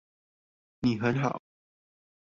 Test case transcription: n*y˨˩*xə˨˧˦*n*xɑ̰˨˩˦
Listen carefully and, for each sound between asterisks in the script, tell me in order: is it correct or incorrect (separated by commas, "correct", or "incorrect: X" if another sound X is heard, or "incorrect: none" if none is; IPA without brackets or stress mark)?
incorrect: i˨˩, correct